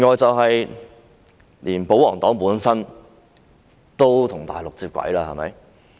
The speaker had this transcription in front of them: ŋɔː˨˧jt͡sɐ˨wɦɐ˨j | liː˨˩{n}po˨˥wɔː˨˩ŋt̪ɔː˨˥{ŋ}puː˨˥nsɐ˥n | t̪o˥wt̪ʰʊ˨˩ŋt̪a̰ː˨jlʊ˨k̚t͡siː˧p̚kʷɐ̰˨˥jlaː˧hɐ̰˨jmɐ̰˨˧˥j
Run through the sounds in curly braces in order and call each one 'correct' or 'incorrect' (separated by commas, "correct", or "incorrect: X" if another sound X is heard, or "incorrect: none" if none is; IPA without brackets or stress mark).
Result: correct, correct